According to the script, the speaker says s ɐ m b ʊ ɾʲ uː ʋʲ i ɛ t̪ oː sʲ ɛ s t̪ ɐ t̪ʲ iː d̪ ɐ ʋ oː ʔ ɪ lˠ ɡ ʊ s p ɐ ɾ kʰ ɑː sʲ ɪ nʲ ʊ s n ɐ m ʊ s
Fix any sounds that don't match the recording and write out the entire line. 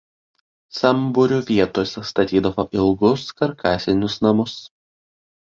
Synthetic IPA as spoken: s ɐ m b ʊ ɾʲ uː ʋʲ i ɛ t̪ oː sʲ ɛ s t̪ ɐ t̪ʲ iː d̪ ɐ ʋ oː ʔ ɪ lˠ ɡ ʊ s k ɐ ɾ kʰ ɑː sʲ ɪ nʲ ʊ s n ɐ m ʊ s